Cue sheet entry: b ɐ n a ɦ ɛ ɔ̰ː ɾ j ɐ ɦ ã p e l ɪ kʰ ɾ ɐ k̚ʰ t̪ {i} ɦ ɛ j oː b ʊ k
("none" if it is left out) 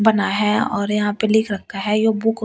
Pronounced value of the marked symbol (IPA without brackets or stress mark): a